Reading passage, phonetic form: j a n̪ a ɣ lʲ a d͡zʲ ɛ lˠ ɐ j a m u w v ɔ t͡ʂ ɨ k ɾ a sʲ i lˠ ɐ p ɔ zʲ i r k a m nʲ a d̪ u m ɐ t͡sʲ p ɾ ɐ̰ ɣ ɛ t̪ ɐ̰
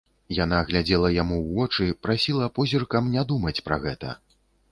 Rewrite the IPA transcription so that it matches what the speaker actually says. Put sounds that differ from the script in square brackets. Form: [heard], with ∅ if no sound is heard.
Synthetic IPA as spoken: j a n̪ a ɣ lʲ a d͡zʲ ɛ lˠ ɐ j a m u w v ɔ t͡ʂ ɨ [p] ɾ a sʲ i lˠ ɐ p ɔ zʲ i r k [ɐ] m nʲ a d̪ u m ɐ t͡sʲ p ɾ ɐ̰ ɣ ɛ t̪ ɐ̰